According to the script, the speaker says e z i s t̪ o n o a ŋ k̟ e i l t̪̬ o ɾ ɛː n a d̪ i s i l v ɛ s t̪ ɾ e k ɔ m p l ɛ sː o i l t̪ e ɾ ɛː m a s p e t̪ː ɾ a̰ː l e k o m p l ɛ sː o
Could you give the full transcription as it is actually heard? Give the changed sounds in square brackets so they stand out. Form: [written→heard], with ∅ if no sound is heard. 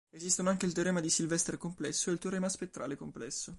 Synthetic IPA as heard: e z i s t̪ o n o a ŋ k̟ e i l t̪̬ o ɾ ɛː [n→m] a d̪ i s i l v ɛ s t̪ ɾ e k [ɔ→o] m p l ɛ sː o [i→e] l t̪ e ɾ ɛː m a s p e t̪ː ɾ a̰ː l e k o m p l ɛ sː o